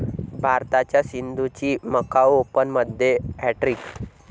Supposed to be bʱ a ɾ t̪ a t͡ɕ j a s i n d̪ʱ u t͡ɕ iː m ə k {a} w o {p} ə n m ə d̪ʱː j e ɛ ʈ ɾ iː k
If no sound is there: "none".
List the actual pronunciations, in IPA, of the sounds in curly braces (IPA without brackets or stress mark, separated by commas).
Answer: a, p